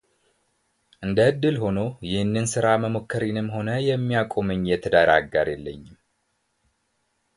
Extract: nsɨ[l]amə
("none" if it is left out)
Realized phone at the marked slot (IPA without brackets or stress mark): ɾ